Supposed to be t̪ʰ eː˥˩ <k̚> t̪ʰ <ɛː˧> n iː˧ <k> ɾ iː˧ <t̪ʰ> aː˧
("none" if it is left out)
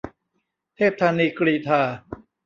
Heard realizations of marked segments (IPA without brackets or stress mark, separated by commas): p̚, aː˧, k, t̪ʰ